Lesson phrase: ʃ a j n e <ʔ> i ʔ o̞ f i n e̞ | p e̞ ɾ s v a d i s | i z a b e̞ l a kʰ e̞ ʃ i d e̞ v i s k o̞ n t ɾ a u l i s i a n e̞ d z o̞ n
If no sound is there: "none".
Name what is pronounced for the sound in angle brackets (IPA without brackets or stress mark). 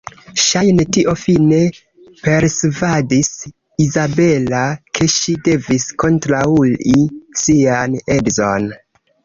t